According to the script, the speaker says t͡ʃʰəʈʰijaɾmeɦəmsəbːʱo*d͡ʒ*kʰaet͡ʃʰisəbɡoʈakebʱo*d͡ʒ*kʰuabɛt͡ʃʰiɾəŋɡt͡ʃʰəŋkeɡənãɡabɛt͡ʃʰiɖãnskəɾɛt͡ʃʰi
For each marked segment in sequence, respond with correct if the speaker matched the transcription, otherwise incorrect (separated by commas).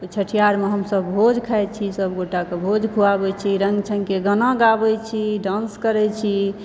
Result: correct, correct